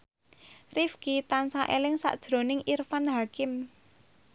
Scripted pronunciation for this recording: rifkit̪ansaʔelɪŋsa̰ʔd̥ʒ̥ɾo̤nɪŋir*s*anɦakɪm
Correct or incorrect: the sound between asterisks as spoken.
incorrect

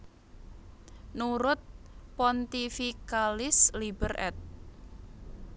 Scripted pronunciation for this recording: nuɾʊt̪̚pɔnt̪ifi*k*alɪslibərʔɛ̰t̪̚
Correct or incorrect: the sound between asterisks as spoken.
correct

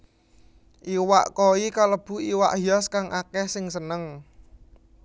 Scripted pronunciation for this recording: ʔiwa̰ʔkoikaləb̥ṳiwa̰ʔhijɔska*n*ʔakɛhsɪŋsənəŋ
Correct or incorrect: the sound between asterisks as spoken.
incorrect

